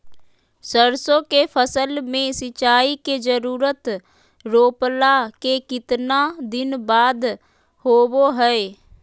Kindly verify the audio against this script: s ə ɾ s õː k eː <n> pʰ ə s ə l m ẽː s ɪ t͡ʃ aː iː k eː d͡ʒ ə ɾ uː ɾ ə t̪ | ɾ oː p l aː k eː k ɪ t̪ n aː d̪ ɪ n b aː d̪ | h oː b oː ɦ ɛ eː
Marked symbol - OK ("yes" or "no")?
no